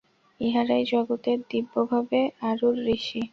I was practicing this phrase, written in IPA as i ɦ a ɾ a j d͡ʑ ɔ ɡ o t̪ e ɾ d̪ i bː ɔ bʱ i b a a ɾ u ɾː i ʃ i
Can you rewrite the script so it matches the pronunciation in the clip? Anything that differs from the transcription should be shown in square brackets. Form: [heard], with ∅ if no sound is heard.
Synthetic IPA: i ɦ a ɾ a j d͡ʑ ɔ ɡ o t̪ e ɾ d̪ i bː [o] bʱ [a] b [e] a ɾ u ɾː i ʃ i

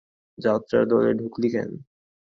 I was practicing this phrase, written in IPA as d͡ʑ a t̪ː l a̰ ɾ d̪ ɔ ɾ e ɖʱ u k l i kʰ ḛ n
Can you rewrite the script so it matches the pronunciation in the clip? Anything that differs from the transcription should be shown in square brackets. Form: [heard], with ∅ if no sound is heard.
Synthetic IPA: d͡ʑ a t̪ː [ɾ] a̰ ɾ d̪ ɔ [l] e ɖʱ u k l i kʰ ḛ n

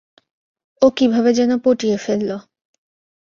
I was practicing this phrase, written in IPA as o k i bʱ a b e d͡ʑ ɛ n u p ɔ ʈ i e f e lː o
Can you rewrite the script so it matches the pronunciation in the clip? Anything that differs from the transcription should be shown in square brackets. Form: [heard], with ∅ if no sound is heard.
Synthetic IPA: o k i bʱ a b e d͡ʑ ɛ n [o] p [o] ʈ i e f e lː o

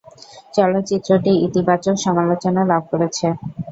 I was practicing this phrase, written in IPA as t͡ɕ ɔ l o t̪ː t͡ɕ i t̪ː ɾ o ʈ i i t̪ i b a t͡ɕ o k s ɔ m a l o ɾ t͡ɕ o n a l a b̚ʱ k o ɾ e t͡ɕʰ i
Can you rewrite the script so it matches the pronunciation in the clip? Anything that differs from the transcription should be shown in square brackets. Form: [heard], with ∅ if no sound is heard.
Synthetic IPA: t͡ɕ ɔ l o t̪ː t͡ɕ i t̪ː ɾ o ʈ i i t̪ i b a t͡ɕ o k [ʃ] ɔ m a l o [∅] t͡ɕ o n a l a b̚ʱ k o ɾ e t͡ɕʰ [e]

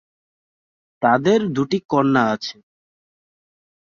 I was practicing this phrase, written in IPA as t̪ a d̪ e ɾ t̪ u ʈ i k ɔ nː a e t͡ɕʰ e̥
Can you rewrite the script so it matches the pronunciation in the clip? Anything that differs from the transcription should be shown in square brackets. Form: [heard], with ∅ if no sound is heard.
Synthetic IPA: t̪ a d̪ e ɾ [d̪] u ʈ i k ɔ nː a [a] t͡ɕʰ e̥

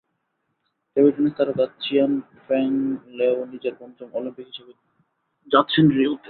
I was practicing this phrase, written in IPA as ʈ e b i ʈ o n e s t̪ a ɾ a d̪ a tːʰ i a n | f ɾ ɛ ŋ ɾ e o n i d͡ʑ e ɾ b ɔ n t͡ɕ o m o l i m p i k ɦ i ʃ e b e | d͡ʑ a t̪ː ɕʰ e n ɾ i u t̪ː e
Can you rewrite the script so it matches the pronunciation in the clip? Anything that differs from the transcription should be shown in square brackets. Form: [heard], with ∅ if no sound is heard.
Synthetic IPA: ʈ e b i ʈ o n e s t̪ a ɾ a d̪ a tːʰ i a n | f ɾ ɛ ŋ [l] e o n i d͡ʑ e ɾ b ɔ n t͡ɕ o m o l i m p i k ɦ i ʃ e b e | d͡ʑ a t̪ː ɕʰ e n ɾ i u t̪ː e

